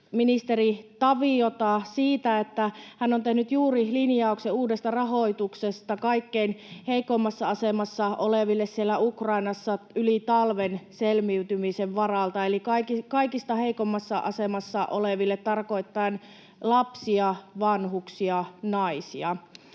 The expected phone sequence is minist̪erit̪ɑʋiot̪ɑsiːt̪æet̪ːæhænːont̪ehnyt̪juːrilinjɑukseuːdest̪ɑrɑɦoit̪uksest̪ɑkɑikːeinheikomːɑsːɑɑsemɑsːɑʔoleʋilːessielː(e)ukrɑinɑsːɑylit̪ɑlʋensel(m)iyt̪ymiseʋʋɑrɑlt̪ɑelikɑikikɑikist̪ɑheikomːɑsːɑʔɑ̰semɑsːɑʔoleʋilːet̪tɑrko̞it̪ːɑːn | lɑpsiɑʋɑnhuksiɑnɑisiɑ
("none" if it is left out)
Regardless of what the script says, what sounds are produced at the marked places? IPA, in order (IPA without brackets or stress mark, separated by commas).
æ, m